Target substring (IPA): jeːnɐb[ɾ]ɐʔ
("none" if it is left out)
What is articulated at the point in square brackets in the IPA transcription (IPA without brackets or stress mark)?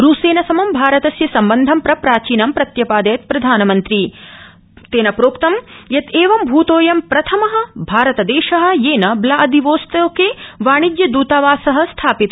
l